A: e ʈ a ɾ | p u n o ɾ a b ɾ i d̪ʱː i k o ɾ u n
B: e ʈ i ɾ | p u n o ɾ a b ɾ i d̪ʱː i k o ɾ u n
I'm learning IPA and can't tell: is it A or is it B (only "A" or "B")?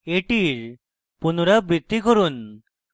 B